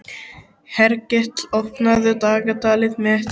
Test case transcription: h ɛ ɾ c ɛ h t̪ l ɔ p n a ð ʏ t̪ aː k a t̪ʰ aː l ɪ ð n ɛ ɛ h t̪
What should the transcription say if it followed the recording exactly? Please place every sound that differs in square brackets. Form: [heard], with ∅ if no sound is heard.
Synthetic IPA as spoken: h ɛ ɾ c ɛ h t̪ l ɔ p n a ð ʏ t̪ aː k a [t̪] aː l ɪ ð [m] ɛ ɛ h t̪